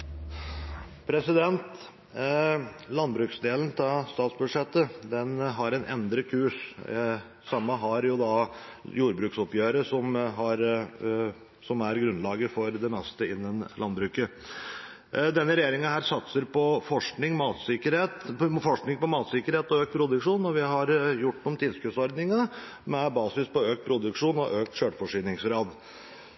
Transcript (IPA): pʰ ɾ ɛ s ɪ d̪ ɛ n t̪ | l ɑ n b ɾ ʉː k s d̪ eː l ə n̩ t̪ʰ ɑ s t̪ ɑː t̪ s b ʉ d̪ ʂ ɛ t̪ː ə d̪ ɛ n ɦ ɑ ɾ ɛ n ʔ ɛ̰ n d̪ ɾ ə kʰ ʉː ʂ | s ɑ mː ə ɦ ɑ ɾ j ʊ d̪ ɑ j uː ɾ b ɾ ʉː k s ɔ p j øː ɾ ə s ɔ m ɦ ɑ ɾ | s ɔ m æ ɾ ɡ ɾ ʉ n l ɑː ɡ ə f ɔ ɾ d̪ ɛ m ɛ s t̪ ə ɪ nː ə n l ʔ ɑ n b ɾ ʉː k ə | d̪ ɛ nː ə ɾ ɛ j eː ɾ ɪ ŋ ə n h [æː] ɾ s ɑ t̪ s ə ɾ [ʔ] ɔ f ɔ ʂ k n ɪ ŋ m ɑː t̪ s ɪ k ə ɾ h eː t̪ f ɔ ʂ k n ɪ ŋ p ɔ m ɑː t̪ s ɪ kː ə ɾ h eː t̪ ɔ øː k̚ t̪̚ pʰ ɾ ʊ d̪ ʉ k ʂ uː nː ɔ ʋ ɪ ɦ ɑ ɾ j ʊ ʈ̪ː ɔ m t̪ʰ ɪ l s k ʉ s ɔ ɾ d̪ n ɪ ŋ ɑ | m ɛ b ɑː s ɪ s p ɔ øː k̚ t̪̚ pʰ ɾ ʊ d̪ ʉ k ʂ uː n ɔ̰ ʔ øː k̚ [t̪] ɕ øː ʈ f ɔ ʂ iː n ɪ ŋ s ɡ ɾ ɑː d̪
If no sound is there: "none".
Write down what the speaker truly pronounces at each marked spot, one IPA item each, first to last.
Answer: æː, p, t̪

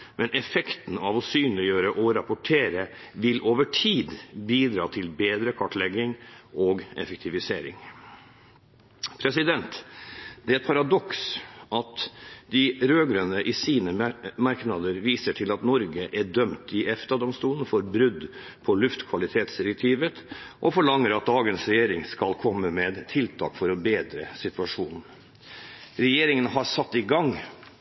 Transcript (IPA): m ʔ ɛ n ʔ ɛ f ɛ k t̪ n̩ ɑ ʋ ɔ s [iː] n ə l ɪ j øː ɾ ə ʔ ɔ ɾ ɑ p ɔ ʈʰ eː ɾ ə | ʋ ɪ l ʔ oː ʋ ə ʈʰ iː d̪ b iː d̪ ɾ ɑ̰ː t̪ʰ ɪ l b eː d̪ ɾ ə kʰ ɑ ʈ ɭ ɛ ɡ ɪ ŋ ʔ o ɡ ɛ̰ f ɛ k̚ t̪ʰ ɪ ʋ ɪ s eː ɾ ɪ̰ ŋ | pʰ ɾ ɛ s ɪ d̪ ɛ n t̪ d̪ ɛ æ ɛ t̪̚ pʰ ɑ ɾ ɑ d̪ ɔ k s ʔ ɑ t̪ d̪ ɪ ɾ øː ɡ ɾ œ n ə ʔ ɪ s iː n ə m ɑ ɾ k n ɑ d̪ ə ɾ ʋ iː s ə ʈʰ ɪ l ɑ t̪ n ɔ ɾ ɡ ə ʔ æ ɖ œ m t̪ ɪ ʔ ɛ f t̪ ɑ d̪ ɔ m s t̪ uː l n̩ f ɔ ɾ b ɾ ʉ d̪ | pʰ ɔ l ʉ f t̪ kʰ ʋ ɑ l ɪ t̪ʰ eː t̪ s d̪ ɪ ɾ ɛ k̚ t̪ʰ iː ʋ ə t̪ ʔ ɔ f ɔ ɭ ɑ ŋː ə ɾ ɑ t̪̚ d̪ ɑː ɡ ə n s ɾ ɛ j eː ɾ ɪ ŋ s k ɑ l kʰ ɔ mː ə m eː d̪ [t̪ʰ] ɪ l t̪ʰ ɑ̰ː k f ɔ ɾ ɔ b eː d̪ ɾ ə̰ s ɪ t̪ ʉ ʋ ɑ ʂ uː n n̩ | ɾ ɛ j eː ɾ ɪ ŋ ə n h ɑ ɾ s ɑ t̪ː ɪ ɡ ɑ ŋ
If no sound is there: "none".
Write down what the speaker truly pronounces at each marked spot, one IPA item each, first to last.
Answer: yː, t̪ʰ

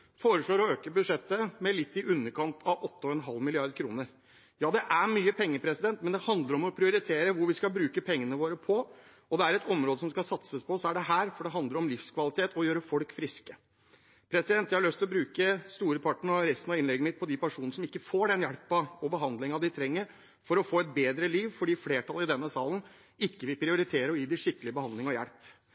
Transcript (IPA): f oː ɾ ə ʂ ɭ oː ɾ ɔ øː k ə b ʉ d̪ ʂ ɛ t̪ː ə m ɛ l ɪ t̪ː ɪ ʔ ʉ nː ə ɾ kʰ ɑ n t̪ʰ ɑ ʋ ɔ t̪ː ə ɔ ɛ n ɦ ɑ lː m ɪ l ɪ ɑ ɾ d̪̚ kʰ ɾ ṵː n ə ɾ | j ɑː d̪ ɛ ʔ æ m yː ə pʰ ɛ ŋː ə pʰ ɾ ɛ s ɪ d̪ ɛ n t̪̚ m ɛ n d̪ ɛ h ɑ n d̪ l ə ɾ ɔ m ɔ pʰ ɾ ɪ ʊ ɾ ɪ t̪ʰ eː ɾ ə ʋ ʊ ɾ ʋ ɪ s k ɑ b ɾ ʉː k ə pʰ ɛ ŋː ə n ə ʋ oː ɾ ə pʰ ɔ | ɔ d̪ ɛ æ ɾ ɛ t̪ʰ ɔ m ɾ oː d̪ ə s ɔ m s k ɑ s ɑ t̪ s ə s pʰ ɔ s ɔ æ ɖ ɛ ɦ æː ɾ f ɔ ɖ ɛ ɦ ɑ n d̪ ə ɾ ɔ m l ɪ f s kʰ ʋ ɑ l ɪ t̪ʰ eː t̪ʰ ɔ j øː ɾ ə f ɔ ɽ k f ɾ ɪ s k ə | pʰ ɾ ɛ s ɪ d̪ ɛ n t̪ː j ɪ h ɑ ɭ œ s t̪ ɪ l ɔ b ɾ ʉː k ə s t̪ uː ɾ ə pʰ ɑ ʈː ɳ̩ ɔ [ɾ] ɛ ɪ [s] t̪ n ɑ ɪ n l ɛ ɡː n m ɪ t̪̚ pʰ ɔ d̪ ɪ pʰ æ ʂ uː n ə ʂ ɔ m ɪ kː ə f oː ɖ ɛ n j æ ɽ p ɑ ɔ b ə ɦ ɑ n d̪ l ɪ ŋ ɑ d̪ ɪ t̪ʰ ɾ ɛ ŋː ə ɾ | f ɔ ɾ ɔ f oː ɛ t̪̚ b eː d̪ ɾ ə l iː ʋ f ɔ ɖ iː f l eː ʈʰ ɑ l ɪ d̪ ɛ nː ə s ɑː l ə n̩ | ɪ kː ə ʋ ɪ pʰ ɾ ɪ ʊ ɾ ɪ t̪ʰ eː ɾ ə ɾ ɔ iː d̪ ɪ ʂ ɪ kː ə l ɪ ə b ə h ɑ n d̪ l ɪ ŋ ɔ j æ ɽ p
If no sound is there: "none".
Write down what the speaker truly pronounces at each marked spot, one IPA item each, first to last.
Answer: ɾ, s

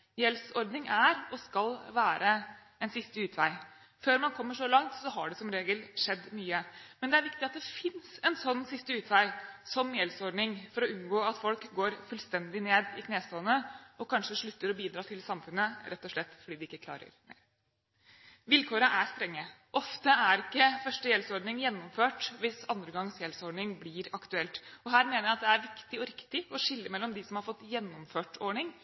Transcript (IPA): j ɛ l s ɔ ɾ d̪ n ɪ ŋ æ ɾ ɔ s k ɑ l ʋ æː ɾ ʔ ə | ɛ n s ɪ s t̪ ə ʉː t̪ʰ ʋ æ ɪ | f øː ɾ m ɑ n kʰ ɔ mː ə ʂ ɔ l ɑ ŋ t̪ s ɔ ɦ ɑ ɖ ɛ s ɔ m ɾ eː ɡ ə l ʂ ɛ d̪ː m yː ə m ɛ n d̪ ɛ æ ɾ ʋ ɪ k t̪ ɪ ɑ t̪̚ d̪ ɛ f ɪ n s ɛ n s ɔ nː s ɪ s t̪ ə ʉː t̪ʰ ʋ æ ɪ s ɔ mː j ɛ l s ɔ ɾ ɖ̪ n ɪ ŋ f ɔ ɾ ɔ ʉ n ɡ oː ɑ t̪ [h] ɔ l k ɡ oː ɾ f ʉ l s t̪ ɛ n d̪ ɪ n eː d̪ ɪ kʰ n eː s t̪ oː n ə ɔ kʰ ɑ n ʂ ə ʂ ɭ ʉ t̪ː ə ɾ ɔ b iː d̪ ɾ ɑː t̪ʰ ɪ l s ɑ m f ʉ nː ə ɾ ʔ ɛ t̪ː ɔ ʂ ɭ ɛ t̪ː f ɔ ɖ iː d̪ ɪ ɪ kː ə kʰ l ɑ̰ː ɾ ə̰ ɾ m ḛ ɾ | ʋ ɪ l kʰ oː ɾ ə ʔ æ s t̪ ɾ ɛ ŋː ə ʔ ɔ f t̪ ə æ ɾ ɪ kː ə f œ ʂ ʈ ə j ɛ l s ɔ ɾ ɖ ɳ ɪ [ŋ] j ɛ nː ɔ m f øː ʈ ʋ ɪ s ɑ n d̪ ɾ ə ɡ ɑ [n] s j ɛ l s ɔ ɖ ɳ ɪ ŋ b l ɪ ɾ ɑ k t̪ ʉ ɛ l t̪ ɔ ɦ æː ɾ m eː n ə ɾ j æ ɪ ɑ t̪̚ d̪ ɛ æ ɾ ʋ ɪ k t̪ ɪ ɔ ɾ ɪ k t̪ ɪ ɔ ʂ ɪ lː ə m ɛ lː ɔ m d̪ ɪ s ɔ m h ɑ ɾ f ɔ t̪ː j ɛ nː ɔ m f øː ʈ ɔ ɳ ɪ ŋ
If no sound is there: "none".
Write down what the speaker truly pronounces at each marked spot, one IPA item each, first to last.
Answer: f, ŋ, ŋ

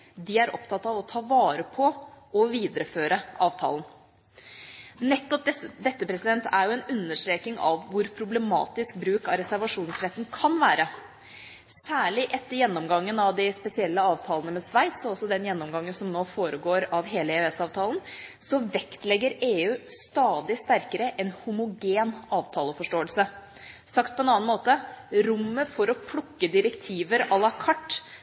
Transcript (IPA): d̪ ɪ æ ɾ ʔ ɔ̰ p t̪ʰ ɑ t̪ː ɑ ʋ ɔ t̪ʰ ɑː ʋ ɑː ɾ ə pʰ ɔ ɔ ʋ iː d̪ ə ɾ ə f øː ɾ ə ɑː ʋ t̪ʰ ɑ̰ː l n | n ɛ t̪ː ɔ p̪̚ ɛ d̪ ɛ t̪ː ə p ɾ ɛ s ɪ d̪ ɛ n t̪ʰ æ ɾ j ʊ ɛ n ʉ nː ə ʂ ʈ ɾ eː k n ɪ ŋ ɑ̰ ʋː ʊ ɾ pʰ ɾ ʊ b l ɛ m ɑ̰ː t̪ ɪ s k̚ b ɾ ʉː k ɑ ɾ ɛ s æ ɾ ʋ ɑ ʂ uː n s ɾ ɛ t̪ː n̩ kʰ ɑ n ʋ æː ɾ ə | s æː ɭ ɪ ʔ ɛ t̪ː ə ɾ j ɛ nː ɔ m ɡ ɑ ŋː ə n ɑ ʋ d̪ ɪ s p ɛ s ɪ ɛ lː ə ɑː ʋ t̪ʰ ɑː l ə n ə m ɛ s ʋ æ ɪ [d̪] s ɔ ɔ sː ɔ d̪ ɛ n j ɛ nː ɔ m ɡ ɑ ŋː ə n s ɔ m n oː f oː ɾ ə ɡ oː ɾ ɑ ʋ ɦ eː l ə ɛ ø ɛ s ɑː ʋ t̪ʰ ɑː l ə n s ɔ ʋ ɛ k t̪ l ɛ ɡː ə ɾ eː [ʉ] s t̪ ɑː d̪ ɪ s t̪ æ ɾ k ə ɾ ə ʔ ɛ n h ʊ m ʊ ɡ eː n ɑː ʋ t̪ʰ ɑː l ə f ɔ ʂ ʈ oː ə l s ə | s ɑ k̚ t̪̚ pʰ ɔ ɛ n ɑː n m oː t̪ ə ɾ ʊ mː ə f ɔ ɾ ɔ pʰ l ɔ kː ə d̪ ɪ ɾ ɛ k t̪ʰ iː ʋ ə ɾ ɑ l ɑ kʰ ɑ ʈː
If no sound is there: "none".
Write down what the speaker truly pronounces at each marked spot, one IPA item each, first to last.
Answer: t̪, ʉː

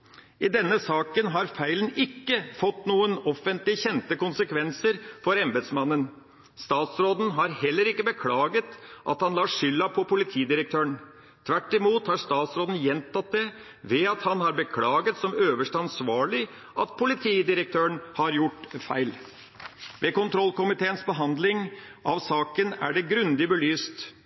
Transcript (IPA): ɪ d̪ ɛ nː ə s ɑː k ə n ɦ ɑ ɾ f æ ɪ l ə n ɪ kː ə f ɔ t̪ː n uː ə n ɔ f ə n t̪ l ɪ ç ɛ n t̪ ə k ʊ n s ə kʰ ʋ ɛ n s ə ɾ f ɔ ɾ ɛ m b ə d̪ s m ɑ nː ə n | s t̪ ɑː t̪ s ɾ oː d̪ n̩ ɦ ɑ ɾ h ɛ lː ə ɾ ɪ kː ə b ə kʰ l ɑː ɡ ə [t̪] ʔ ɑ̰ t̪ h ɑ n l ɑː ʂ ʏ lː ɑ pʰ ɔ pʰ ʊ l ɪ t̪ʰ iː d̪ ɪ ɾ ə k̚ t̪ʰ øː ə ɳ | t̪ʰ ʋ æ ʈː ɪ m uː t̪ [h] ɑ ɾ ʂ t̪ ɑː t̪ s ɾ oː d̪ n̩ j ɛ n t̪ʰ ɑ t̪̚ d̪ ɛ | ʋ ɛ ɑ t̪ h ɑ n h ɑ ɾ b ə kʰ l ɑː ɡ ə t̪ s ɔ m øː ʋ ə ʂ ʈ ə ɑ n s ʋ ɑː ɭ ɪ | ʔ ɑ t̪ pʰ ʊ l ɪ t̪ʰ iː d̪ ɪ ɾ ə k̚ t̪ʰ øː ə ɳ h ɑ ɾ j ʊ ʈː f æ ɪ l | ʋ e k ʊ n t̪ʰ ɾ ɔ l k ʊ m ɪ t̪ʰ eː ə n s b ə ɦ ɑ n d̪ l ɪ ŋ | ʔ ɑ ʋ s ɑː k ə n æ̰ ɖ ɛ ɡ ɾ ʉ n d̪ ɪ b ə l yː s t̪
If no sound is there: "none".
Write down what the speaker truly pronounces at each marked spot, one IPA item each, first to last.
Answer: t̪, h

